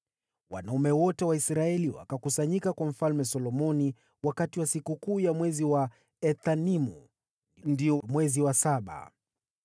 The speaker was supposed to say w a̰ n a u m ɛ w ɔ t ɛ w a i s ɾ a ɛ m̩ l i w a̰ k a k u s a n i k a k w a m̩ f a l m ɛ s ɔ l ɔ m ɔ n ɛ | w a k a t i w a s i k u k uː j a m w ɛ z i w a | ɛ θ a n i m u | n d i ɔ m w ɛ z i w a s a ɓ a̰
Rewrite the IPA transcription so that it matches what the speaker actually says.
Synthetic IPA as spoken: w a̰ n a u m ɛ w ɔ t ɛ w a i s ɾ a ɛ l i w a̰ k a k u s a ɲ i k a k w a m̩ f a l m ɛ s ɔ l ɔ m ɔ n i | w a k a t i w a s i k u k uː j a m w ɛ z i w a | ɛ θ a n i m u | n d i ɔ m w ɛ z i w a s a ɓ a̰

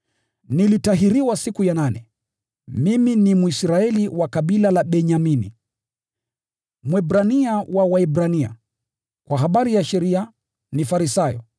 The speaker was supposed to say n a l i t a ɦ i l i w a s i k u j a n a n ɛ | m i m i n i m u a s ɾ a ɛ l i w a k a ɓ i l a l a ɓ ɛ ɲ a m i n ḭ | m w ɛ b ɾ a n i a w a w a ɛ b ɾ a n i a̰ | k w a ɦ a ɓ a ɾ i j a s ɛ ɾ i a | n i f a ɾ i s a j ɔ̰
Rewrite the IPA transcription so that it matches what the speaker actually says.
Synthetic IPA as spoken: n i l i t a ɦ i ɾ i w a s i k u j a n a n ɛ | m i m i n i m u i s ɾ a ɛ l i w a k a ɓ i l a l a ɓ ɛ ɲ a m i n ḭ | m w ɛ b ɾ a n i a w a w a ɛ b ɾ a n i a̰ | k w a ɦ a ɓ a ɾ i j a ʃ ɛ ɾ i a | n i f a ɾ i s a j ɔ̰

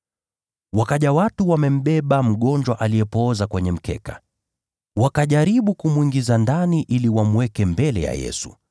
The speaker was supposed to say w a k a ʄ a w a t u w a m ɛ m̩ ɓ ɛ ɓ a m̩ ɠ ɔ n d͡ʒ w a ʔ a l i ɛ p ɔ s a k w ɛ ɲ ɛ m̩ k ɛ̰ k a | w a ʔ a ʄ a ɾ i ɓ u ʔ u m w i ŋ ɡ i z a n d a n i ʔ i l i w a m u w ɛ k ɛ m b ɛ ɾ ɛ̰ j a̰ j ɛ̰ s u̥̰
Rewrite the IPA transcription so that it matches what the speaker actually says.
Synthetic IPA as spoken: w a k a ʄ a w a t u w a m ɛ m̩ ɓ ɛ ɓ a m̩ ɠ ɔ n d͡ʒ w a ʔ a l i ɛ p ɔ z a k w ɛ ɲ ɛ m̩ k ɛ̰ k a | w a k a ʄ a ɾ i ɓ u k u m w i ŋ ɡ i z a n d a n i ʔ i l i w a m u w ɛ k ɛ m b ɛ l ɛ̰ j a̰ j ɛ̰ s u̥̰

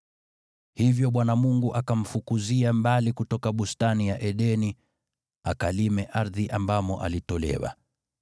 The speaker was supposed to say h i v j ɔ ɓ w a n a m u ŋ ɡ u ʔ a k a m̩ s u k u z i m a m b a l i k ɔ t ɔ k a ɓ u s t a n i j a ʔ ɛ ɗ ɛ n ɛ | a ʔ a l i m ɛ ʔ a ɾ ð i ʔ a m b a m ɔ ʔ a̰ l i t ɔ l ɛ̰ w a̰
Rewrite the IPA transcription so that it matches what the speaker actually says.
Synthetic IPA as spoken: h i v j ɔ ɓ w a n a m u ŋ ɡ u ʔ a k a m̩ f u k u z i a m b a l i k u t ɔ k a ɓ u s t a n i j a ʔ ɛ ɗ ɛ n i | a k a l i m ɛ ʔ a ɾ ð i ʔ a m b a m ɔ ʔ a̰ l i t ɔ l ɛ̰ w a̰

